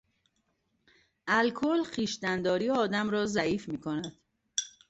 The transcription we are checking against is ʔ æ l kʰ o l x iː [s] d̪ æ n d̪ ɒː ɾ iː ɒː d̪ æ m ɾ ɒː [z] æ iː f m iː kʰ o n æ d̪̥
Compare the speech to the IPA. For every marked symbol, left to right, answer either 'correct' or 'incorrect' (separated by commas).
incorrect, correct